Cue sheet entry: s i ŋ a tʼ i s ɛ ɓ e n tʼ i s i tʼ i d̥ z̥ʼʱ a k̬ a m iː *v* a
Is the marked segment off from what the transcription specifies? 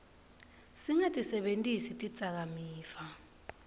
yes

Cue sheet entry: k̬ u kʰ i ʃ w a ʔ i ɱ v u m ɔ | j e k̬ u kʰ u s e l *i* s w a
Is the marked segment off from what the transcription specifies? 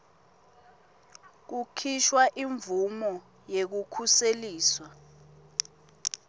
yes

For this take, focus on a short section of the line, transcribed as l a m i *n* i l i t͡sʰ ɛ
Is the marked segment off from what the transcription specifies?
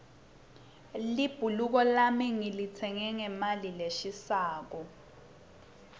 yes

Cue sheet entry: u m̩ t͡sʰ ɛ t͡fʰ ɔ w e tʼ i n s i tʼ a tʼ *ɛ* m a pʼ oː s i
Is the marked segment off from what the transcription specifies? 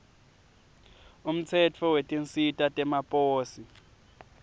no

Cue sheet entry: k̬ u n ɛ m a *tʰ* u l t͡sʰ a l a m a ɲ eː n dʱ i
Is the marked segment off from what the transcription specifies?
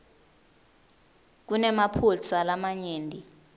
yes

